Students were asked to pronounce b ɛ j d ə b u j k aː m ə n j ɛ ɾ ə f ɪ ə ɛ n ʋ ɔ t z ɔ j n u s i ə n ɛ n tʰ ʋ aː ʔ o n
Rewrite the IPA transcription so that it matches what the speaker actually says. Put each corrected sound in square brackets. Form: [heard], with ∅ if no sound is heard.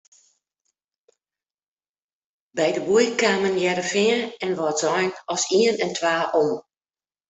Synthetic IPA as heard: b ɛ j d ə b u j k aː m ə n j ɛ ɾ ə f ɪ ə ɛ n ʋ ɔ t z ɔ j n [ɔ] s i ə n ɛ n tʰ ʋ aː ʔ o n